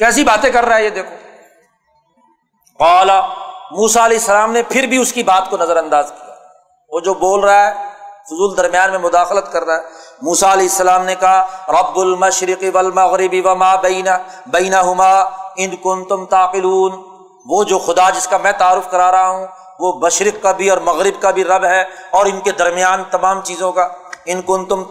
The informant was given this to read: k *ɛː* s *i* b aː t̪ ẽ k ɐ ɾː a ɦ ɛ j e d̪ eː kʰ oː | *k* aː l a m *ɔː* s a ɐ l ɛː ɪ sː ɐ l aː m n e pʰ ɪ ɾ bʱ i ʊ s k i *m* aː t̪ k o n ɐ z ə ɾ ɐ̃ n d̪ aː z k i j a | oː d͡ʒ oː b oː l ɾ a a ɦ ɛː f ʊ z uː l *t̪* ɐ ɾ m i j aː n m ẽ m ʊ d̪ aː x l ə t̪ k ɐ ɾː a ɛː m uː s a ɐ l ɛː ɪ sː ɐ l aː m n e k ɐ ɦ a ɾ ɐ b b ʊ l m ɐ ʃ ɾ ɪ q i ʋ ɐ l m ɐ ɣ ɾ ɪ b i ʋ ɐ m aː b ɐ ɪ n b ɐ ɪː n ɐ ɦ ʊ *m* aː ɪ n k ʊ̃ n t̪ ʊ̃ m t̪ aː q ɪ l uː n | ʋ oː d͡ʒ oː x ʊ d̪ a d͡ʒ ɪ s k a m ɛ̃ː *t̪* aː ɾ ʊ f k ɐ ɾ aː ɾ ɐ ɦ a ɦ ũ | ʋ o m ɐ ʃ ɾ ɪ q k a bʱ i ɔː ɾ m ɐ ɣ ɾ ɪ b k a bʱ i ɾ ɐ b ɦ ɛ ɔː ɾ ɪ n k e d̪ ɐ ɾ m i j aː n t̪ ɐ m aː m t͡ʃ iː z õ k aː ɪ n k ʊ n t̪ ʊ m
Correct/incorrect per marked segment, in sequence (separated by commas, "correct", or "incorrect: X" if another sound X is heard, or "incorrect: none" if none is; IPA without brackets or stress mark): correct, correct, incorrect: q, incorrect: uː, incorrect: b, incorrect: d̪, correct, correct